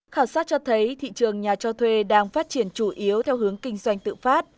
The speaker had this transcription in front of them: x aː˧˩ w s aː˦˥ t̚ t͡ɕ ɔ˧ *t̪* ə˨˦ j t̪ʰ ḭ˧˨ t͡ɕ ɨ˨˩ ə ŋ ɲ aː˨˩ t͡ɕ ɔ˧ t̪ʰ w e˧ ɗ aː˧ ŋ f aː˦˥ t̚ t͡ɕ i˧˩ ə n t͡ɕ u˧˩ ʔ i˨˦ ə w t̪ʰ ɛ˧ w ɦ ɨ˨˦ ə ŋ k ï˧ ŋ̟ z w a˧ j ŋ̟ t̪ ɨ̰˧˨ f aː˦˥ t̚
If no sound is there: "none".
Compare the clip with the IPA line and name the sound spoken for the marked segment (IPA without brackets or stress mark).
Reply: t̪ʰ